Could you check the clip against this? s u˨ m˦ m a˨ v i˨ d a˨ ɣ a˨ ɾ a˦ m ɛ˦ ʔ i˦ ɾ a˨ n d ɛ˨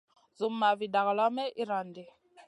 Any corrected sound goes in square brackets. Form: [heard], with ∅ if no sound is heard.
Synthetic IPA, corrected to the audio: [z] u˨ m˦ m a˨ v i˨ d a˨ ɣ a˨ [l] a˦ m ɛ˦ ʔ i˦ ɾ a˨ n d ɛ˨